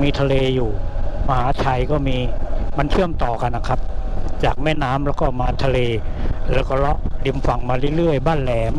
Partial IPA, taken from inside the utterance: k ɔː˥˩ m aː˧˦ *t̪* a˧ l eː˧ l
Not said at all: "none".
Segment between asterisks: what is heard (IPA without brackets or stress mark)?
t̪ʰ